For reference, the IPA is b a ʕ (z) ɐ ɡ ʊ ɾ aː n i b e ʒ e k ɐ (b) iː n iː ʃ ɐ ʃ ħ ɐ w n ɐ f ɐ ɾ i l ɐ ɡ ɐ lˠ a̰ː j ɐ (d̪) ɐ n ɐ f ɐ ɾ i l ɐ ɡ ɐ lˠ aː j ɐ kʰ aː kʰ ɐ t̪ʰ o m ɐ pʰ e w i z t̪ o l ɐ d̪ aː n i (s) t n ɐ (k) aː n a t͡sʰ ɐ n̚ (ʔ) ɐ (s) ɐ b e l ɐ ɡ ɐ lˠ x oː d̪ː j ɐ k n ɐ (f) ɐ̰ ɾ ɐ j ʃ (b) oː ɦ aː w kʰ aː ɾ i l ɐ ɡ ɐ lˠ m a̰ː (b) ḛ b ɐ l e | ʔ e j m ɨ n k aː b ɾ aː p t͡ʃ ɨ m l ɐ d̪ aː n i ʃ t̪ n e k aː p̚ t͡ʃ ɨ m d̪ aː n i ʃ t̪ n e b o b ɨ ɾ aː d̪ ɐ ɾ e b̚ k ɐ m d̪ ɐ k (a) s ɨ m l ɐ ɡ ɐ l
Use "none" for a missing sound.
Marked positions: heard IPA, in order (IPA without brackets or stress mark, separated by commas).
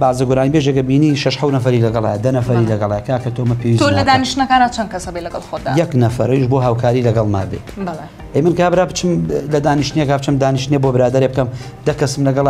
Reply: z, b, d̪, ʃ, k, k, s, f, b, b, ɐ